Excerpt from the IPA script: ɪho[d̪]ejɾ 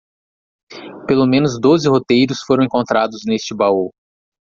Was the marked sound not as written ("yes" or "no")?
yes